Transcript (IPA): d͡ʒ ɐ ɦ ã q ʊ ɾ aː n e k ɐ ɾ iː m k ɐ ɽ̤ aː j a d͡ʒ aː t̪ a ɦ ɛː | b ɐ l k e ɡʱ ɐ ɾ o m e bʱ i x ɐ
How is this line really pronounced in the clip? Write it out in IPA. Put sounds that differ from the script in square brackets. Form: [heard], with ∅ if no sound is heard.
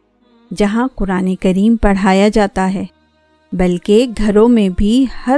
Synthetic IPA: d͡ʒ ɐ ɦ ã q ʊ ɾ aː n e k ɐ ɾ iː m [p] ɐ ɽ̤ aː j a d͡ʒ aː t̪ a ɦ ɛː | b ɐ l k e ɡʱ ɐ ɾ [õ] m [ẽ] bʱ i [h] ɐ